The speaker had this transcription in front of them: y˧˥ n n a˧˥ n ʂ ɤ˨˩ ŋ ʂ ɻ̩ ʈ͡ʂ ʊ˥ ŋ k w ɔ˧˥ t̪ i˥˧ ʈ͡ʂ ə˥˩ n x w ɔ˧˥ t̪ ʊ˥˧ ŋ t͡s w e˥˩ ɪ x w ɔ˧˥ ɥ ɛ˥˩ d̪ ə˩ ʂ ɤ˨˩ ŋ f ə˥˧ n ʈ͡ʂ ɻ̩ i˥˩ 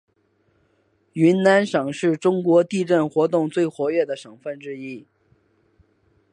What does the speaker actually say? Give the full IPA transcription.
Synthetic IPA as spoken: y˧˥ n n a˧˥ n ʂ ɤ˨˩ ŋ ʂ ɻ̩ ʈ͡ʂ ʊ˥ ŋ k w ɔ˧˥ t̪ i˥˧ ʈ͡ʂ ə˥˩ n x w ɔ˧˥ t̪ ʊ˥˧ ŋ t͡s w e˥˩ ɪ x w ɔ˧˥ ɥ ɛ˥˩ d̪ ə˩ ʂ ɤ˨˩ ŋ f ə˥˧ n ʈ͡ʂ ɻ̩ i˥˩